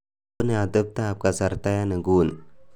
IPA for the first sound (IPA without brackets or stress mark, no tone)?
n